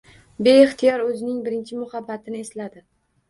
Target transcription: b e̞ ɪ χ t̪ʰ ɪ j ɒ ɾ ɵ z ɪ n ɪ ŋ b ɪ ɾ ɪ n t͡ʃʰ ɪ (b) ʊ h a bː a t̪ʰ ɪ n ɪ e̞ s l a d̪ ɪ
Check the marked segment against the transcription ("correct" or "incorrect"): incorrect